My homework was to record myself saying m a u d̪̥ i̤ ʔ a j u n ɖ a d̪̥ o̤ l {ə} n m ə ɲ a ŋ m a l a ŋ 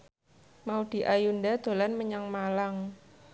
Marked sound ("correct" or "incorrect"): incorrect